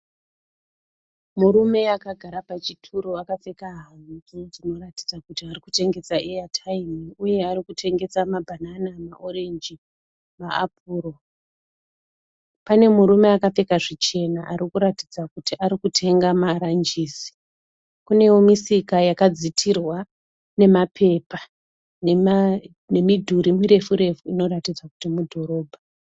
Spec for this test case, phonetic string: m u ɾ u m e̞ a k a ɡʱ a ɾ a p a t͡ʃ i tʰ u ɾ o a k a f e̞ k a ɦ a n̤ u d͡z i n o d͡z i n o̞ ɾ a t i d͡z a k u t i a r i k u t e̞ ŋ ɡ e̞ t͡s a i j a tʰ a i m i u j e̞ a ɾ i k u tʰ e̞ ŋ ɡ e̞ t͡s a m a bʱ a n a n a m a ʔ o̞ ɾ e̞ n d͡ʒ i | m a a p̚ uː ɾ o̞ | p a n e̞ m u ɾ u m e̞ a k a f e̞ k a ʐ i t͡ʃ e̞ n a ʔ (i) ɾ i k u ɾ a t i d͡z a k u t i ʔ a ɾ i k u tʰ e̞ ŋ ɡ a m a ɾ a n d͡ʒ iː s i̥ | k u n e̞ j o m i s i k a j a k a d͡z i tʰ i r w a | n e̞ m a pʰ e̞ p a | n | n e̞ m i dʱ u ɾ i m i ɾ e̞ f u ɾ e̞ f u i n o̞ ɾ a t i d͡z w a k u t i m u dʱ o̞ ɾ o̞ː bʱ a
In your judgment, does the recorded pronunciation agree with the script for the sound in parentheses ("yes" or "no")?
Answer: no